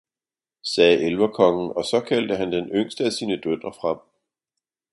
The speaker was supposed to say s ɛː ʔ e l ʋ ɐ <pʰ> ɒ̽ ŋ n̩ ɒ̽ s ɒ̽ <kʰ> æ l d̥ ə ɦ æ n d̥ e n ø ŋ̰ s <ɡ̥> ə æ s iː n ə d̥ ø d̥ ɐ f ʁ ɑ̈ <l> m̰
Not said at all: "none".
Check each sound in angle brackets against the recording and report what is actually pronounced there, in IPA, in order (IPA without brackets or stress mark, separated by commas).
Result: kʰ, kʰ, d̥, none